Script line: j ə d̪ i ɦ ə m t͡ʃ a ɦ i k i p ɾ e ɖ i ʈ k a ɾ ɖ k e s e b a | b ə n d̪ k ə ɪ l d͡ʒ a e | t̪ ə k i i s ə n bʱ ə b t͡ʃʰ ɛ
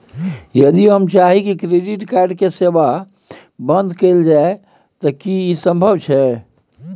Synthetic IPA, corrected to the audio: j ə d̪ i ɦ ə m t͡ʃ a ɦ i k i k ɾ e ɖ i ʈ k a ɾ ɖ k e s e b a | b ə n d̪ k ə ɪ l d͡ʒ a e | t̪ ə k i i s ə m bʱ ə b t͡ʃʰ ɛ